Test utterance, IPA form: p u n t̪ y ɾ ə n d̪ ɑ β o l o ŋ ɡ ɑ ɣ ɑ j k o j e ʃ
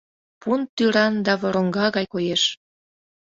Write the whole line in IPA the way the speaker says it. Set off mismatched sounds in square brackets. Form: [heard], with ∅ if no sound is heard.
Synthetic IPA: p u n t̪ y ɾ [ɑ] n d̪ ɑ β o [ɾ] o ŋ ɡ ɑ ɣ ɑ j k o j e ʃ